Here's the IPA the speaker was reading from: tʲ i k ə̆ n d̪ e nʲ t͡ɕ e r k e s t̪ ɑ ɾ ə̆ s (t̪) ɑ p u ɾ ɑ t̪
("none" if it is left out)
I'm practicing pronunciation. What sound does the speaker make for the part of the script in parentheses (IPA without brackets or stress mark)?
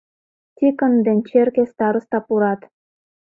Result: t̪